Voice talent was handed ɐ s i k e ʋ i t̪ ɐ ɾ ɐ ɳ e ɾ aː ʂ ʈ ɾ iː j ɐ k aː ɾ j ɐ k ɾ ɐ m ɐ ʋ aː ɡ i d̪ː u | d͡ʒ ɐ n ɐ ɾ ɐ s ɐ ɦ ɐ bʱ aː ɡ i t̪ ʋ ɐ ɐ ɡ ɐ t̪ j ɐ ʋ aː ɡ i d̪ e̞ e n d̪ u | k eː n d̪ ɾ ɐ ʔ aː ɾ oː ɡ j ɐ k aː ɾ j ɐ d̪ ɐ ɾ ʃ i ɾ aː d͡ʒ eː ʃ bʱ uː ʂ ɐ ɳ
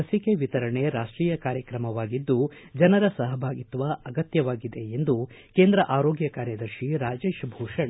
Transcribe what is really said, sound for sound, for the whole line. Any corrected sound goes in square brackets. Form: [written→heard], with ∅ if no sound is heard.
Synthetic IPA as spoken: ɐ s i k e ʋ i t̪ ɐ ɾ ɐ ɳ e ɾ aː ʂ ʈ ɾ iː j ɐ k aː ɾ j ɐ k ɾ ɐ m ɐ ʋ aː ɡ i d̪ː u | d͡ʒ ɐ n ɐ ɾ ɐ s ɐ ɦ ɐ bʱ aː ɡ i t̪ ʋ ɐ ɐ ɡ ɐ t̪ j ɐ ʋ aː ɡ i d̪ e̞ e n d̪ u | k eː n d̪ ɾ ɐ ʔ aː ɾ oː ɡ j ɐ k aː ɾ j ɐ d̪ ɐ ɾ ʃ i ɾ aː d͡ʒ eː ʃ bʱ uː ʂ ɐ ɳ